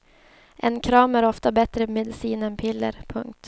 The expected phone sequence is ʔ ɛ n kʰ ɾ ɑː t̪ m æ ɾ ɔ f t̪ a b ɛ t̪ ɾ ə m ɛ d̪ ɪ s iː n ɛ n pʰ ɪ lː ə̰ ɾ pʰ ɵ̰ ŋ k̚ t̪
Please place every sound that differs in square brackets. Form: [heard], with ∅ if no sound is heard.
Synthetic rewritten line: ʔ ɛ n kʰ ɾ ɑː [∅] m æ ɾ ɔ f t̪ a b ɛ t̪ ɾ ə m ɛ d̪ ɪ s iː n ɛ n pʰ ɪ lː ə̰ ɾ pʰ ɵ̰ ŋ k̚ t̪